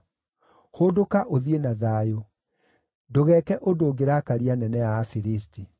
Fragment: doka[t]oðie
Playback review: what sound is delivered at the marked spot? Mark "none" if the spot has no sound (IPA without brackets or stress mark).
ʔ